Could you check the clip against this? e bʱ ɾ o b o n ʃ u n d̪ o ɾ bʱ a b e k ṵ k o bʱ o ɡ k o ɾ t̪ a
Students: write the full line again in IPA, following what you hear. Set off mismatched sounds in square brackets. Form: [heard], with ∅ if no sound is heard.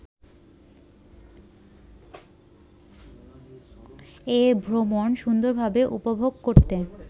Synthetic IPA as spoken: e bʱ ɾ o [m] o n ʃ u n d̪ o ɾ bʱ a b e [ʔ] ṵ [p] o bʱ o ɡ k o ɾ t̪ [e]